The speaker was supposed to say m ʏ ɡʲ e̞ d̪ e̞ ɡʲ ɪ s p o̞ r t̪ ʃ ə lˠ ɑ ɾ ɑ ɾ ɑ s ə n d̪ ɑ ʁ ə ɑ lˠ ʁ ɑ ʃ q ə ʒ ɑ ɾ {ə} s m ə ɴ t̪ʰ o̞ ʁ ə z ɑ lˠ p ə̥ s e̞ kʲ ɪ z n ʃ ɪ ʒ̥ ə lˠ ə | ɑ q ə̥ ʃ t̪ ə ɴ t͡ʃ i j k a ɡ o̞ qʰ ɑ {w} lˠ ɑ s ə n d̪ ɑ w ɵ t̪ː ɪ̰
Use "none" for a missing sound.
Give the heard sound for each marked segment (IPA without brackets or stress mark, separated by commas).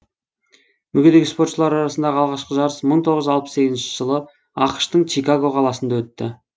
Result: ə, none